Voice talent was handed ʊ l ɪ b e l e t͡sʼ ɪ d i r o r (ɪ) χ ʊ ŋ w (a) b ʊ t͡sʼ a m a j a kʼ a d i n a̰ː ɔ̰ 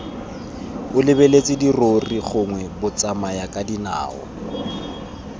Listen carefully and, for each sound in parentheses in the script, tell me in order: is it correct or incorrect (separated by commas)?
incorrect, incorrect